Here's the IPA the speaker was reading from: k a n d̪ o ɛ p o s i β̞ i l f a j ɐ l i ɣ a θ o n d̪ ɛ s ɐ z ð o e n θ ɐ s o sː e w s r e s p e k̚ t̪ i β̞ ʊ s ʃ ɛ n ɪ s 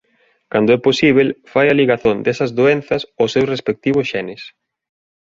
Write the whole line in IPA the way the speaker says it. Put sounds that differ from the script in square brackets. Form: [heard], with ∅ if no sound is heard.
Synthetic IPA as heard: k a n d̪ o ɛ p o s i β̞ [e] l f a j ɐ l i ɣ a θ o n d̪ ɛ s ɐ z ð o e n θ ɐ s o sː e w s r e s p e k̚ t̪ i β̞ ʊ s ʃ ɛ n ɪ s